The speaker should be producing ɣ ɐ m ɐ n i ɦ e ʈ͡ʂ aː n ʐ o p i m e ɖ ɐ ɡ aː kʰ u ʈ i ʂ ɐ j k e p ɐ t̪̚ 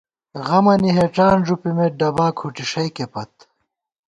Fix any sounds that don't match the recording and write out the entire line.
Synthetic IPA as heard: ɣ ɐ m ɐ n i ɦ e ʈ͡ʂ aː n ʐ u p i m e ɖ ɐ b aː kʰ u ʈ i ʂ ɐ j k e p ɐ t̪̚